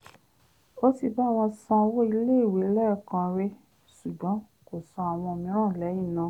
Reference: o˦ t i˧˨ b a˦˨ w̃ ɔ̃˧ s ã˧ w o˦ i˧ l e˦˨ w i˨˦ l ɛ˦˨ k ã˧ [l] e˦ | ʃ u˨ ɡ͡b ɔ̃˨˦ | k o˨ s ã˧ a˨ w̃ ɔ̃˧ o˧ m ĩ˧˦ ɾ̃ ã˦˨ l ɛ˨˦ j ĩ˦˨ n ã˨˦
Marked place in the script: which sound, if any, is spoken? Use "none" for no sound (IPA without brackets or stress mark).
ɾ